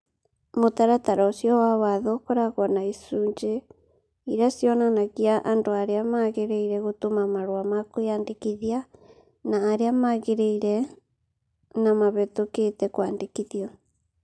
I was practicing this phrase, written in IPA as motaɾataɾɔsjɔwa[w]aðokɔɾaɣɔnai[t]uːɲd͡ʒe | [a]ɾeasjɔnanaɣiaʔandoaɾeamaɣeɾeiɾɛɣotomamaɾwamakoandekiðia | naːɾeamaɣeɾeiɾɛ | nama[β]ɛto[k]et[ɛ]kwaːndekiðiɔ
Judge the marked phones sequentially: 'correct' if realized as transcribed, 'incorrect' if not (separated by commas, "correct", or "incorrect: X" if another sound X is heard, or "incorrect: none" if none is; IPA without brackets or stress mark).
correct, incorrect: s, incorrect: i, correct, correct, correct